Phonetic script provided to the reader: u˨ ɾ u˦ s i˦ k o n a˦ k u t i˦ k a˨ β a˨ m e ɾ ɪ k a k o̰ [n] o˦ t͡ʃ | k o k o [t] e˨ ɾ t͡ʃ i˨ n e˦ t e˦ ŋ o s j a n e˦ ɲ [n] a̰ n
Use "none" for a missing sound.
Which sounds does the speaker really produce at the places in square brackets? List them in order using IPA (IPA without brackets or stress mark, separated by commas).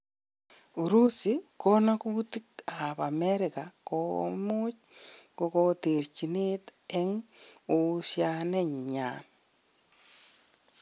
m, t, ɲ